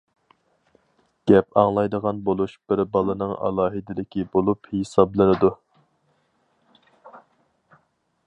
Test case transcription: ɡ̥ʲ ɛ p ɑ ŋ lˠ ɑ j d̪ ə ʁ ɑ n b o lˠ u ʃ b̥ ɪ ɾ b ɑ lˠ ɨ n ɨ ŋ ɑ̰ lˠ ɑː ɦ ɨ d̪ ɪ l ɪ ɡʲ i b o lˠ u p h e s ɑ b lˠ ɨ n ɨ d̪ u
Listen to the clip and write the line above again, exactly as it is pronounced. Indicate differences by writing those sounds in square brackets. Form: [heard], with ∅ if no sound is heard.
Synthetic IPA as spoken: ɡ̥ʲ ɛ p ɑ ŋ lˠ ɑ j d̪ ə ʁ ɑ n b o lˠ u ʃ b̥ ɪ ɾ b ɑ lˠ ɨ n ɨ ŋ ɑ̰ lˠ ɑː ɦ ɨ d̪ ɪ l ɪ [kʲ] i b o lˠ u p h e s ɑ b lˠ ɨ n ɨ d̪ u